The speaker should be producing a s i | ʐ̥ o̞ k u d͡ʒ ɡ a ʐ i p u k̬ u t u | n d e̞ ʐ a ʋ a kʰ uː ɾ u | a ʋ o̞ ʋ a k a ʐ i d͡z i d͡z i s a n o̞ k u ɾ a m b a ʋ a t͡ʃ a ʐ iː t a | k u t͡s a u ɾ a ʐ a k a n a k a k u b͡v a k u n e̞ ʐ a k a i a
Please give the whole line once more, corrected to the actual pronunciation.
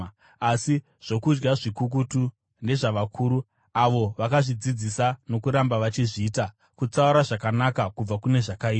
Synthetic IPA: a s i | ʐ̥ o̞ k u d͡ʒ ɡ a ʐ i k u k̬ u t u | n d e̞ ʐ a ʋ a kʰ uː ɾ u | a ʋ o̞ ʋ a k a ʐ i d͡z i d͡z i s a n o̞ k u ɾ a m b a ʋ a t͡ʃ i ʐ iː t a | k u t͡s a u ɾ a ʐ a k a n a k a k u b͡v a k u n e̞ ʐ a k a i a

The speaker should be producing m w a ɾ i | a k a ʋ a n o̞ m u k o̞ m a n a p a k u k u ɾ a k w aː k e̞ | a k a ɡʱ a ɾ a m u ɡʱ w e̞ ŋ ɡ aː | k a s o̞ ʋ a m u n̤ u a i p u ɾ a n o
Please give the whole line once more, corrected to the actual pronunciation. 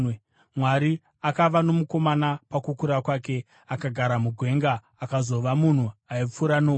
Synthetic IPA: m w a ɾ i | a k a ʋ a n o̞ m u k o̞ m a n a p a k u k u ɾ a k w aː k e̞ | a k a ɡʱ a ɾ a m u ɡʱ w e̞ ŋ ɡ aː | k a z o̞ ʋ a m u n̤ u a i p͡f u ɾ a n o

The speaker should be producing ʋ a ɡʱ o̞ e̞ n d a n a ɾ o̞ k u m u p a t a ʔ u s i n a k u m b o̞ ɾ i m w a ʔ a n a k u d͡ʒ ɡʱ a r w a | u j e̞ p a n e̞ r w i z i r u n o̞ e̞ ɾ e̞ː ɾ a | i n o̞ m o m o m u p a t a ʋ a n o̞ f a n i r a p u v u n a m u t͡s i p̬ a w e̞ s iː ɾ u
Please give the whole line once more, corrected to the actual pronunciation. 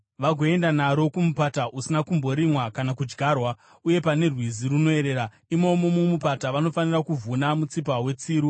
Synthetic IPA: ʋ a ɡʱ o̞ e̞ n d a n a ɾ o̞ k u m u p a t a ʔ u s i n a k u m b o̞ ɾ i m w a k a n a k u d͡ʒ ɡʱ a r w a | u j e̞ p a n e̞ r w i z i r u n o̞ e̞ ɾ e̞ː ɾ a | i m o̞ m o m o m u p a t a ʋ a n o̞ f a n i r a k u v u n a m u t͡s i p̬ a w e̞ t͡s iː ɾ u

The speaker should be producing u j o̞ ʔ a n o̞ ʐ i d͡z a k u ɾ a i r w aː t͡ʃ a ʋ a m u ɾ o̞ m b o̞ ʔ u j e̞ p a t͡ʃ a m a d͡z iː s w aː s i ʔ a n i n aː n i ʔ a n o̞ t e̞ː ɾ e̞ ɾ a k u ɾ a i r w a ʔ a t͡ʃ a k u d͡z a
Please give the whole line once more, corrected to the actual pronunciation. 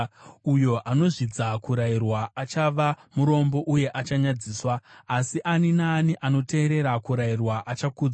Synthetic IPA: u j o̞ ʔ a n o̞ ʐ i d͡z a k u ɾ a i r w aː t͡ʃ a ʋ a m u ɾ o̞ m b o̞ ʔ u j e̞ ʔ a t͡ʃ a ɲ a d͡z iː s w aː s i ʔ a n i n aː n i ʔ a n o̞ t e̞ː ɾ e̞ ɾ a k u ɾ a i r w a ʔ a t͡ʃ a k u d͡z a

